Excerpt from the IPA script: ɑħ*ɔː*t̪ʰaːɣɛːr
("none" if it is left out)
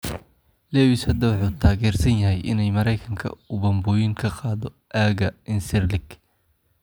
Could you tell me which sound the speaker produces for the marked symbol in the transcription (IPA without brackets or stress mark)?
uː